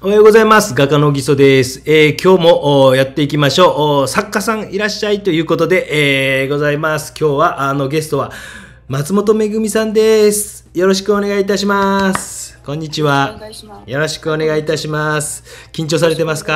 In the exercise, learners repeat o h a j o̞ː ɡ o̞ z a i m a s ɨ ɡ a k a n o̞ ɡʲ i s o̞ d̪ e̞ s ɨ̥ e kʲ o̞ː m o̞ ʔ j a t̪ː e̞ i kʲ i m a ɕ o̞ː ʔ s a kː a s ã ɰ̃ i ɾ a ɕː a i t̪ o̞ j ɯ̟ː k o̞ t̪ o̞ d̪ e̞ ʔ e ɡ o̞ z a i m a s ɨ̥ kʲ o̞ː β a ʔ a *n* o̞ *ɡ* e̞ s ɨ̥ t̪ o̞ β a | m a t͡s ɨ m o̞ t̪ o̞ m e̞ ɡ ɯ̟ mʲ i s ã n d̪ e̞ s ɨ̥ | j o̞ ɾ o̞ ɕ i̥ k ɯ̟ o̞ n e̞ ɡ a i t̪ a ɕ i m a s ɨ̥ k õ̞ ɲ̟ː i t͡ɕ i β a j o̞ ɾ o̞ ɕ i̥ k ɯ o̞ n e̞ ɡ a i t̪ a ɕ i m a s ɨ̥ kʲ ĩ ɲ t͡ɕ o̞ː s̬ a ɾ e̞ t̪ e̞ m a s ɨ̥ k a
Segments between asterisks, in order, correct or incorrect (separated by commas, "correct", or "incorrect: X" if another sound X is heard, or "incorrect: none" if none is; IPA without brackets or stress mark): correct, correct